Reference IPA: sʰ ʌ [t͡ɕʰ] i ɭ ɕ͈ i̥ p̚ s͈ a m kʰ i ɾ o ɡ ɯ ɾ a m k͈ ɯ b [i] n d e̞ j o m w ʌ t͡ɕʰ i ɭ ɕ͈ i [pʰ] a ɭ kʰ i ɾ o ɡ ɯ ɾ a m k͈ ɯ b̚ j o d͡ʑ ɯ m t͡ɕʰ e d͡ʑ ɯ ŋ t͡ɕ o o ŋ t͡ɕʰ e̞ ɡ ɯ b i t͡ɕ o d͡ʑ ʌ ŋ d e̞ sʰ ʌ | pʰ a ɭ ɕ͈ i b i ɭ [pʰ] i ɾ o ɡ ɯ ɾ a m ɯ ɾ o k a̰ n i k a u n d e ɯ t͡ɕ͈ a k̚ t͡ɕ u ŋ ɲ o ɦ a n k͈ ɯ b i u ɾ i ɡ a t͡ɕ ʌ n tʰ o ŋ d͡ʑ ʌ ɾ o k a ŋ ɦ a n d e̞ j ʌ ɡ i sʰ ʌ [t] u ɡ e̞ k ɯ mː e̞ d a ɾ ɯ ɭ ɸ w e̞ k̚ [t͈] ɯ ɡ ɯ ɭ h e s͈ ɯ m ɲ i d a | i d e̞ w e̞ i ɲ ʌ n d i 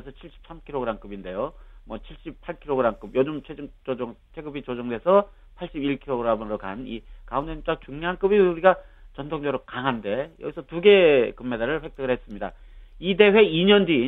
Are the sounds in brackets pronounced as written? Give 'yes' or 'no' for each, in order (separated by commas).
yes, yes, yes, no, yes, yes